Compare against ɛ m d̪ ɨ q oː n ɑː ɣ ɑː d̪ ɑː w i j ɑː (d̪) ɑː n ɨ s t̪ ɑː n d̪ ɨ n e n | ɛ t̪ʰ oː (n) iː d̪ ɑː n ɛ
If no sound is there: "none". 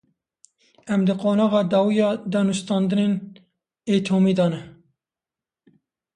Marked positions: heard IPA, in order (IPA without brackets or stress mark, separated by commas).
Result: d̪, m